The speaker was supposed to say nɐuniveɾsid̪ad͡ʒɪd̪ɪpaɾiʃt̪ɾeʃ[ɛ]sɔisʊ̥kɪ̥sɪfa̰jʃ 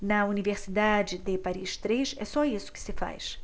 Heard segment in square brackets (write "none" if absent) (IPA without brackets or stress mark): ɛ